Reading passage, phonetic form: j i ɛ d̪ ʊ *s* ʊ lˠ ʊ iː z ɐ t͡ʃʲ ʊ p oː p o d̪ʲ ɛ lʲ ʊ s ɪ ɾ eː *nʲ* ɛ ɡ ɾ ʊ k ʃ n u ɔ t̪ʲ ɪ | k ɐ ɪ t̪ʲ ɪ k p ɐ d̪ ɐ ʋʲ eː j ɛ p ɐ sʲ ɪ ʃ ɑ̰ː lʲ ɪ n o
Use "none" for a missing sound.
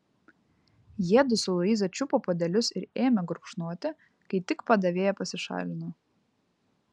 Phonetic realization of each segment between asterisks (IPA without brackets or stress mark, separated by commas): s, mʲ